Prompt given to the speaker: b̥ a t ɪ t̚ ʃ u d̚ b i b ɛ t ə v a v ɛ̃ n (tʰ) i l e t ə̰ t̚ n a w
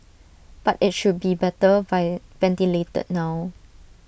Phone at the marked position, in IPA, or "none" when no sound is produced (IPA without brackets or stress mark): t